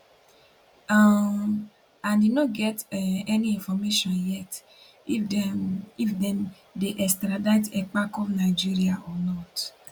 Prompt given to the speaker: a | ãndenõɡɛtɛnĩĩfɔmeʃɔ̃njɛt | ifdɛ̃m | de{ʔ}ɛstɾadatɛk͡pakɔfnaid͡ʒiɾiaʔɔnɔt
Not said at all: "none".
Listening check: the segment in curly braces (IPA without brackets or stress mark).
ʔ